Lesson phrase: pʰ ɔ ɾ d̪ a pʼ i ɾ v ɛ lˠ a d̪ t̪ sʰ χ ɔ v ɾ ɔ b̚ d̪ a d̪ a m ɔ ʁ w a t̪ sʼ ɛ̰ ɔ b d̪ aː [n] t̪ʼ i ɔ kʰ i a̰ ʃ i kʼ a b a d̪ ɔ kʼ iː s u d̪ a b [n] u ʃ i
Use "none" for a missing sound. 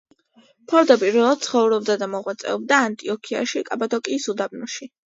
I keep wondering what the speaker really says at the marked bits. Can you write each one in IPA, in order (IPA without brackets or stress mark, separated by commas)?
n, n